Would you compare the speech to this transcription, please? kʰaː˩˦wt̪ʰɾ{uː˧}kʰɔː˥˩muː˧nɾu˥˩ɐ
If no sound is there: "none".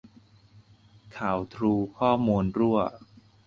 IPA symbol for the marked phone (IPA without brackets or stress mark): uː˧